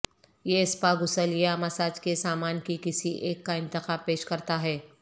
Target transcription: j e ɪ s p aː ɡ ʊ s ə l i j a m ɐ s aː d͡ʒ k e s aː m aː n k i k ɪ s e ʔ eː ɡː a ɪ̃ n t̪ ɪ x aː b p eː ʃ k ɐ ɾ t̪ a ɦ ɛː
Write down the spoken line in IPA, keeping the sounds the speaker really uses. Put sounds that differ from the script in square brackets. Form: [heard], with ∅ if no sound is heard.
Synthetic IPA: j e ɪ s p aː ɡ ʊ s ə l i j a m ɐ s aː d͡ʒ k e s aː m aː n k i k ɪ s [i] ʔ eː [kː] a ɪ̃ n t̪ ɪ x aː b p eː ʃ k ɐ ɾ t̪ a ɦ ɛː